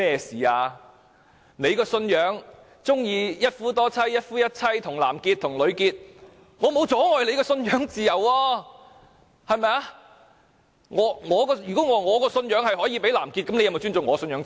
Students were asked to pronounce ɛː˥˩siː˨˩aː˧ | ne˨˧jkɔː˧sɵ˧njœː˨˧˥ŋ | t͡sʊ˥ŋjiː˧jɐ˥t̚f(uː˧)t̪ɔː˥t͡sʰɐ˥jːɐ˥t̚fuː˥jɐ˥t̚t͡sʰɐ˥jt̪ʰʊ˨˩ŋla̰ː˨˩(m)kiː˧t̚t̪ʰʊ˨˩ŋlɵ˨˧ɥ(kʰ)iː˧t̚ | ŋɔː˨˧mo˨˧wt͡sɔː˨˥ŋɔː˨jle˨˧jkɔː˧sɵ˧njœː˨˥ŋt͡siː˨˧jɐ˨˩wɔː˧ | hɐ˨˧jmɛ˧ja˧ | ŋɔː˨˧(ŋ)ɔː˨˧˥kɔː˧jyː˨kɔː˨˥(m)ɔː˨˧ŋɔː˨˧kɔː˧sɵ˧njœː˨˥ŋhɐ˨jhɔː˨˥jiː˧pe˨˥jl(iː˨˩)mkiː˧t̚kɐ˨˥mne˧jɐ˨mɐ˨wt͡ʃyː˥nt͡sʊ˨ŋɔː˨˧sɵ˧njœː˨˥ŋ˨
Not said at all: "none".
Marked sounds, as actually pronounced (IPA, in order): uː˥, m, k, ŋ, ŋ, aː˨˩

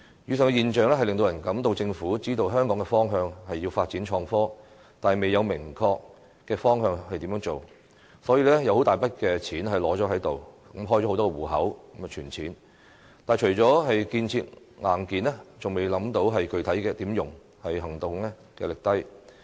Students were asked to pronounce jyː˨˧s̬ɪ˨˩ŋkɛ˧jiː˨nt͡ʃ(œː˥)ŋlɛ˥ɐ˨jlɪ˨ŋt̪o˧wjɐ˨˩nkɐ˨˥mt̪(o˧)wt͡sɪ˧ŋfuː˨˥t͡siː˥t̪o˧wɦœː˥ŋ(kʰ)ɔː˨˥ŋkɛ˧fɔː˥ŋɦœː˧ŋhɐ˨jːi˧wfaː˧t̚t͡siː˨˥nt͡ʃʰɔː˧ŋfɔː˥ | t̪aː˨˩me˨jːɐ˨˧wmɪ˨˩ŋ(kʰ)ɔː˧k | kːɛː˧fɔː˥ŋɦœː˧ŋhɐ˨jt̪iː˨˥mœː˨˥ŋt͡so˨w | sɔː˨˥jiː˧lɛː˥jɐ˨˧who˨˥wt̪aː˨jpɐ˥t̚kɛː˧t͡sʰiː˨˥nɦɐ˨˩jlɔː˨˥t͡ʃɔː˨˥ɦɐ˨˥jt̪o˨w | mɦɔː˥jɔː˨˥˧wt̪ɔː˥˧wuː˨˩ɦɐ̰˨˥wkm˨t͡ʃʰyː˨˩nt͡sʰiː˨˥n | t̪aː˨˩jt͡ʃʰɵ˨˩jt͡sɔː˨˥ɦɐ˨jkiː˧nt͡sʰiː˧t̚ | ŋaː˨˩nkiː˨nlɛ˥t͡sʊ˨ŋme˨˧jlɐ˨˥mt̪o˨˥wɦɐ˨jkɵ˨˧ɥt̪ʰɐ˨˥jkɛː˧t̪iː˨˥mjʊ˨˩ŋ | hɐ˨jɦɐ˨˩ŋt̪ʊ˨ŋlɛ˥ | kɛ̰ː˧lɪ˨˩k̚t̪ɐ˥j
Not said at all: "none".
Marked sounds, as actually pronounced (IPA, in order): œː˨, o˧, k, kʰ

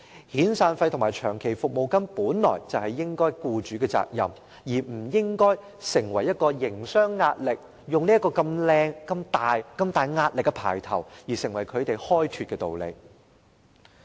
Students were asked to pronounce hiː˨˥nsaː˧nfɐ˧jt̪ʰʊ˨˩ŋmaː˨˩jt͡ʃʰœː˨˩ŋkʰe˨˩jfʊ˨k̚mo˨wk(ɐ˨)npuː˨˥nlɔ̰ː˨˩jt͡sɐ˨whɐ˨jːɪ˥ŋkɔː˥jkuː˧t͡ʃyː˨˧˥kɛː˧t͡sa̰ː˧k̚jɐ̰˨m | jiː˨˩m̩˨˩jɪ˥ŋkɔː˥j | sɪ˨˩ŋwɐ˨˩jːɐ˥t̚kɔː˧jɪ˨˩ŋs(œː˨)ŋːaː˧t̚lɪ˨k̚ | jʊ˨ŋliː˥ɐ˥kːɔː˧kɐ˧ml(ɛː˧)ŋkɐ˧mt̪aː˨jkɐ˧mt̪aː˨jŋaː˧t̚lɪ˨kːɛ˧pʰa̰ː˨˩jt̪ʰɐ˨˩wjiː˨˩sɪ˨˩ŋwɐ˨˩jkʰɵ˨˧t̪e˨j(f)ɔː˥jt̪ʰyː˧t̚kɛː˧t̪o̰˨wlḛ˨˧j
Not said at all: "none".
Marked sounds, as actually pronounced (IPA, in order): ɐ˥, œː˥, ɛː˧, h

